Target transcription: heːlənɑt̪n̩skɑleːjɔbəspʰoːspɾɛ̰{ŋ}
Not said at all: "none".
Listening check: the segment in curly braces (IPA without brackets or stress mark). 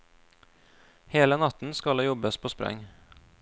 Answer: ŋ